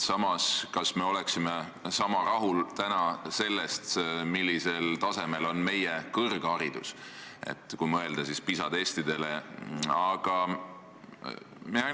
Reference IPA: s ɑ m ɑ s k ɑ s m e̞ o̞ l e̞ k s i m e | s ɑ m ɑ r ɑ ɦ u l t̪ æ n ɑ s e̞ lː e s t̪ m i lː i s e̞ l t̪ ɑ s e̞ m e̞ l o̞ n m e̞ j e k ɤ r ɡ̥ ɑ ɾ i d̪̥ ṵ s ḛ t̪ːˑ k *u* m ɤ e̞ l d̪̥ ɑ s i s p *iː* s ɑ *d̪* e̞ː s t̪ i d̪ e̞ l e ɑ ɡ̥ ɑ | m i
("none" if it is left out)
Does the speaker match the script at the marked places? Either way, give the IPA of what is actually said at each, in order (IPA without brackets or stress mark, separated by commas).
u, i, d̪